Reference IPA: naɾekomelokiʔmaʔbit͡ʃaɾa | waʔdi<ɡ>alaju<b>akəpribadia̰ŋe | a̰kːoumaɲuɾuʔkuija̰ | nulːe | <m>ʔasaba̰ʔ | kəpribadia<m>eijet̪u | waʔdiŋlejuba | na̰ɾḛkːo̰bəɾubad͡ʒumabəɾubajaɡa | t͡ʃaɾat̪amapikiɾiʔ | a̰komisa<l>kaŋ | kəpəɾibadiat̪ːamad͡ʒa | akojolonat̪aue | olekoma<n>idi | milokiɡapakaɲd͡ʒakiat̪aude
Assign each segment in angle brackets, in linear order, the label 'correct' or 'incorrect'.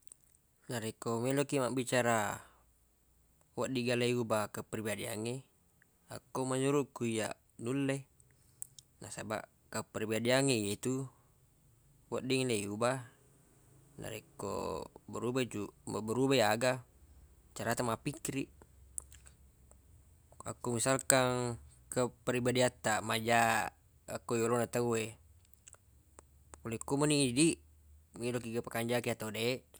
correct, correct, incorrect, incorrect, correct, correct

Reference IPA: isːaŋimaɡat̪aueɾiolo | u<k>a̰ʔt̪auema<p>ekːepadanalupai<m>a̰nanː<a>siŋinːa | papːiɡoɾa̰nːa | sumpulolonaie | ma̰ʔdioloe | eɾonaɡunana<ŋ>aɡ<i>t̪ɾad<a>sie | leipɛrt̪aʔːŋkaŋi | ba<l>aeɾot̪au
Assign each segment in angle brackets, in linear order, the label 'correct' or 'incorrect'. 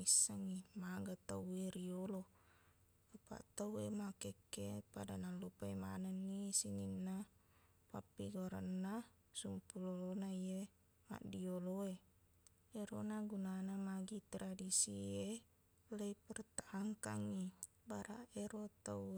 incorrect, incorrect, correct, incorrect, incorrect, correct, incorrect, incorrect

